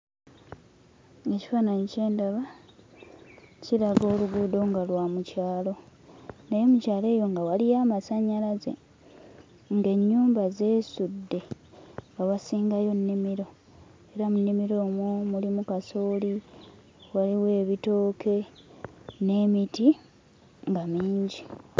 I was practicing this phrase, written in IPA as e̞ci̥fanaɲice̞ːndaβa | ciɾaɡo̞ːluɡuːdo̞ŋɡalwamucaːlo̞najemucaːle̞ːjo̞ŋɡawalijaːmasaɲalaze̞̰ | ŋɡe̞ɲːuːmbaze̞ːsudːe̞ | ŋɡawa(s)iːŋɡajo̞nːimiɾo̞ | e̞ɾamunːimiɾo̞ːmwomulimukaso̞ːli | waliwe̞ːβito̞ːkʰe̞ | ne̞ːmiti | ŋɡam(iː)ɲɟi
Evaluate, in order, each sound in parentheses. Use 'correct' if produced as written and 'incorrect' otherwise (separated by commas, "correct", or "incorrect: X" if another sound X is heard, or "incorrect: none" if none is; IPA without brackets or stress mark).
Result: correct, correct